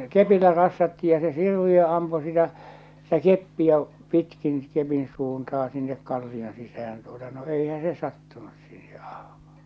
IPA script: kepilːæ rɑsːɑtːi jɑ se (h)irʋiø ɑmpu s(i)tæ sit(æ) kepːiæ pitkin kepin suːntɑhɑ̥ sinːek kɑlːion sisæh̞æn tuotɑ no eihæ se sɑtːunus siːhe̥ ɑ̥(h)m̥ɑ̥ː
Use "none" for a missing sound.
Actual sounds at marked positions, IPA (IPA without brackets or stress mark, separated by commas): s, i, æ, h